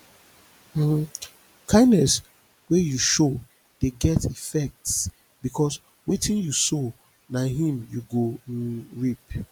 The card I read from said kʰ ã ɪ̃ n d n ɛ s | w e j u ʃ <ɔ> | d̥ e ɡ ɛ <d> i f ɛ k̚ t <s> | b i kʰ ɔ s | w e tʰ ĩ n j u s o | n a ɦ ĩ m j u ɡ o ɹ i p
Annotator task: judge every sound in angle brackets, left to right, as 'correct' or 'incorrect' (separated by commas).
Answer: incorrect, incorrect, correct